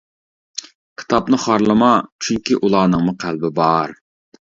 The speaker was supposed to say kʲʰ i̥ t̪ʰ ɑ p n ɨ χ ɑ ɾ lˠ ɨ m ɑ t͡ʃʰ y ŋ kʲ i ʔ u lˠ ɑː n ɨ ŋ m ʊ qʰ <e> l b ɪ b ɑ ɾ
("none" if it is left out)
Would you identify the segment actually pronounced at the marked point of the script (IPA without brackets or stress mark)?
æ